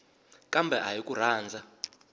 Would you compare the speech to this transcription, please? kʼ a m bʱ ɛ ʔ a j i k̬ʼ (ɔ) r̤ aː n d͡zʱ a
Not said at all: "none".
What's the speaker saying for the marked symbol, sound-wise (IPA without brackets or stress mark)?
u